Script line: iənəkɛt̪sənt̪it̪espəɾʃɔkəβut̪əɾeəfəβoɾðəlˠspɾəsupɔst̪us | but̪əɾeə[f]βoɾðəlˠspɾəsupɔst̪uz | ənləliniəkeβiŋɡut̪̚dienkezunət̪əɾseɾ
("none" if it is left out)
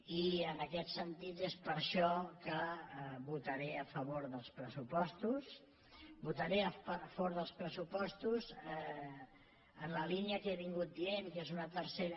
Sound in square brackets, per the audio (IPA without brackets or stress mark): f